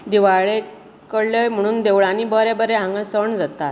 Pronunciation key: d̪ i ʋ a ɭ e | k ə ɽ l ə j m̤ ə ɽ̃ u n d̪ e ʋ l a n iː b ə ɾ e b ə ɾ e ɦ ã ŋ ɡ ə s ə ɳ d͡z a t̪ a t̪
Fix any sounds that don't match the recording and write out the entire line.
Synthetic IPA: d̪ i ʋ a ɭ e | k ə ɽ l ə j m̤ ə ɽ̃ uː n d̪ e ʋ ɭ a n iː b ə ɾ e b ə ɾ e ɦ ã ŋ ɡ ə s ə ɳ d͡z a t̪ a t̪